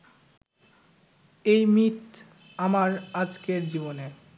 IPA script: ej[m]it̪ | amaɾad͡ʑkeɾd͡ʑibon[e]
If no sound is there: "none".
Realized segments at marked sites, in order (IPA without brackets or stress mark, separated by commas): m, e